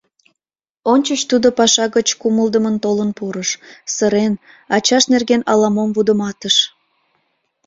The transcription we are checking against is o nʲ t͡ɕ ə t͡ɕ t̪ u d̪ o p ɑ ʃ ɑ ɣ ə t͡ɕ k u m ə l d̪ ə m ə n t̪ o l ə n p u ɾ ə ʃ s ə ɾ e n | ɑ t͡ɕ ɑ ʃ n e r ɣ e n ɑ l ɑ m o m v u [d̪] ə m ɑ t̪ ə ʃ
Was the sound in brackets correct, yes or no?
yes